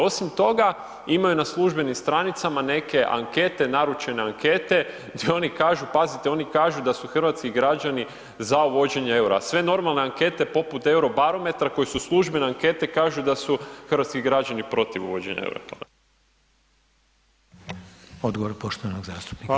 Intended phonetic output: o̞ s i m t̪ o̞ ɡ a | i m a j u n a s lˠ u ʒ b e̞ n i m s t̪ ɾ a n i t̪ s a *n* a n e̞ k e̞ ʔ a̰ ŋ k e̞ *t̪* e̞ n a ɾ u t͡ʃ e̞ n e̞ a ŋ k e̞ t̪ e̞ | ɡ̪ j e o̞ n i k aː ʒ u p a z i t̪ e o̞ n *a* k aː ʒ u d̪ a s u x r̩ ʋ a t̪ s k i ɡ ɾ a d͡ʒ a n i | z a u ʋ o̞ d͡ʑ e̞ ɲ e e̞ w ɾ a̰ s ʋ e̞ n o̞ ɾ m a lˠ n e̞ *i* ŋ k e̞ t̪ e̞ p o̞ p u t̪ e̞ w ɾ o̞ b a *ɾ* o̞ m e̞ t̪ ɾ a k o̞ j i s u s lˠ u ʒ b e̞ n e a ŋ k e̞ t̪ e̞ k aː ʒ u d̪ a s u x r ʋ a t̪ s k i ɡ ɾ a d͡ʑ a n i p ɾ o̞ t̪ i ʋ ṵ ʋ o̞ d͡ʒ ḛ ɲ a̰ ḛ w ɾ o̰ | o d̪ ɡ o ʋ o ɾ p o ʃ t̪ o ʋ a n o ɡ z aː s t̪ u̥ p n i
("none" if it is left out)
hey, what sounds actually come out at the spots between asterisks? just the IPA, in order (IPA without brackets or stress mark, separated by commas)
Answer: m, t̪, i, a, ɾ